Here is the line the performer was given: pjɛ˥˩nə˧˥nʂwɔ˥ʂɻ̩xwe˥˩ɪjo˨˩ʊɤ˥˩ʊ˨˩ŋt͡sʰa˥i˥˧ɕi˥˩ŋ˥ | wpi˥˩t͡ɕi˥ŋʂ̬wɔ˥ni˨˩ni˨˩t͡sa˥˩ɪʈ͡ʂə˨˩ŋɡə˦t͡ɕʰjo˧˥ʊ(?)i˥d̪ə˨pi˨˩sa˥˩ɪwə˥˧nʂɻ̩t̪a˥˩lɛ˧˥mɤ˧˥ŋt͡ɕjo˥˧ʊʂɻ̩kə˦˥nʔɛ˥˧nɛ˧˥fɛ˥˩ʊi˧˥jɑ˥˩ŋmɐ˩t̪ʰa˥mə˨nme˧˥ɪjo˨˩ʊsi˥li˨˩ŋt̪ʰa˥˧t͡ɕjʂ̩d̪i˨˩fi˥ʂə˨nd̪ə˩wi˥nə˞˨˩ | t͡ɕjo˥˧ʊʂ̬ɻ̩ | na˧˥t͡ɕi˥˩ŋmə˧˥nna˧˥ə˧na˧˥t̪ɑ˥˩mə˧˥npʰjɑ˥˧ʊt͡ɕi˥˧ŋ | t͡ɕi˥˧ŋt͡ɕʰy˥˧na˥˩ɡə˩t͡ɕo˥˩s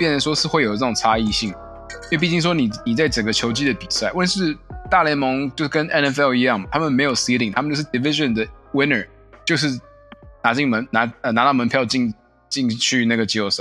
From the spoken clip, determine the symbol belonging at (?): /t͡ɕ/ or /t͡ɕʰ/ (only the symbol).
t͡ɕ